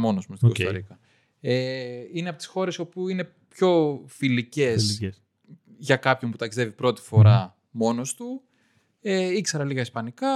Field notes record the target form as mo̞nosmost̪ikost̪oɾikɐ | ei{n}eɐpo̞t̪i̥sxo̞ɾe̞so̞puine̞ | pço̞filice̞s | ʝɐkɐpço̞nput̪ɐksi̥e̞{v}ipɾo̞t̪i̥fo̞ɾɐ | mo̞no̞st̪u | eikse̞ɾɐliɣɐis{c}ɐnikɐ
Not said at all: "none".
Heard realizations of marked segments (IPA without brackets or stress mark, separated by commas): n, v, p